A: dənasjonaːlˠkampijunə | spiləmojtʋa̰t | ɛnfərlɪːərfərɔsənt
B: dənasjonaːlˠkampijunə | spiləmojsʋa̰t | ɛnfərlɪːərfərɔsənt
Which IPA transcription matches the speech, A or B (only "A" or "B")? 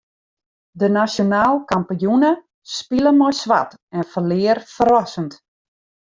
B